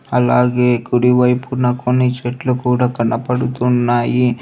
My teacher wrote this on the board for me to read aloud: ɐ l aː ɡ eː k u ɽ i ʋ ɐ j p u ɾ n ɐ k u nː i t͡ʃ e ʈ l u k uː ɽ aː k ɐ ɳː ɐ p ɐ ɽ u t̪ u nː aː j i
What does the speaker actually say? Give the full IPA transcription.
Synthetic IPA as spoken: ɐ l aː ɡ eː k u ɽ i ʋ ɐ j p u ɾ n ɐ k o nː i t͡ʃ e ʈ l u k uː ɽ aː k ɐ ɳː ɐ p ɐ ɽ u t̪ u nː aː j i